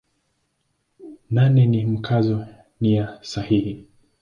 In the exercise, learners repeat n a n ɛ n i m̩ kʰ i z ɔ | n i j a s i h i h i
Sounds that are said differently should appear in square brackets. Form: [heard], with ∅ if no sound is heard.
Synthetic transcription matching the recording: n a n ɛ n i m̩ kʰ [a] z ɔ | n i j a s [a] h i h i